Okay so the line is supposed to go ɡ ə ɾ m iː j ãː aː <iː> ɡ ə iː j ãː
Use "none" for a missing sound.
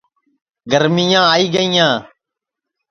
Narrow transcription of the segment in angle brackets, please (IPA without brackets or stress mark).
iː